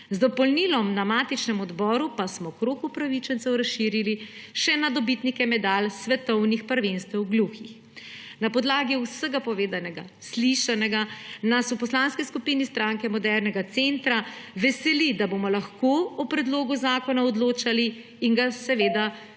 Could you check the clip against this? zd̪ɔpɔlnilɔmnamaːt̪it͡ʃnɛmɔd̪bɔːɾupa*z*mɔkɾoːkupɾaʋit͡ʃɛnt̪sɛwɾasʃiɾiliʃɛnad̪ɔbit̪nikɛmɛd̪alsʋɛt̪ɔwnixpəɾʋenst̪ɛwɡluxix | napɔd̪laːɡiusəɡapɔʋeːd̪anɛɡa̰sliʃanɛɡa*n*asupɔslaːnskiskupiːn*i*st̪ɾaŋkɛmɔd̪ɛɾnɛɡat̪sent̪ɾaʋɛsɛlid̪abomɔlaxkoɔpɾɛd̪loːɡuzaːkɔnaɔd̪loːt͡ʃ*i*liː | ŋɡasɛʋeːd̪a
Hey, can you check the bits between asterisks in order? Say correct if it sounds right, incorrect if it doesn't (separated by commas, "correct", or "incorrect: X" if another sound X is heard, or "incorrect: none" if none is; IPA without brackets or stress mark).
incorrect: s, correct, correct, incorrect: a